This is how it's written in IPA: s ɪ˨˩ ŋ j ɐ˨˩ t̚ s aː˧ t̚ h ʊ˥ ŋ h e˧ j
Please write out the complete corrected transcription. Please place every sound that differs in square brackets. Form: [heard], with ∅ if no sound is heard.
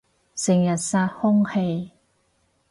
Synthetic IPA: s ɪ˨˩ ŋ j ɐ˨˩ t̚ s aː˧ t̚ h ʊ˥ ŋ h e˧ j